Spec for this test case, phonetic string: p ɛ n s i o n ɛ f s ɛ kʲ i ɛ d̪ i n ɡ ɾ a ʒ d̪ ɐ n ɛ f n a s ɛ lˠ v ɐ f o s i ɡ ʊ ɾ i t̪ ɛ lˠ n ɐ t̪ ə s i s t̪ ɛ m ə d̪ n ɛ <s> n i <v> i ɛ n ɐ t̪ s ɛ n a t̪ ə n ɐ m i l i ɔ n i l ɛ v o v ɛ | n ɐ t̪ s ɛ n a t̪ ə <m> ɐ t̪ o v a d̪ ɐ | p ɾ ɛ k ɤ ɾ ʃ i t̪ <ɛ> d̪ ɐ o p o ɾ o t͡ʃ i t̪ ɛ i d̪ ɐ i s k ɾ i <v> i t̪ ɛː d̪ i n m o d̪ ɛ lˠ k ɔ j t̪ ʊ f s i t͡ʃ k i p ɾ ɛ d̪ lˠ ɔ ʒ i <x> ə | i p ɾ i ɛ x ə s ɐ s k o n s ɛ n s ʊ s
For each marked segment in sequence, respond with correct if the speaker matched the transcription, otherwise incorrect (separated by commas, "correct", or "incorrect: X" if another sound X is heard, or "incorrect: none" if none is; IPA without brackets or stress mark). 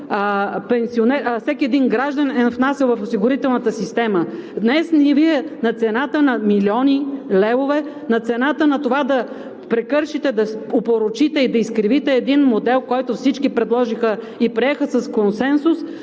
correct, correct, incorrect: n, correct, correct, correct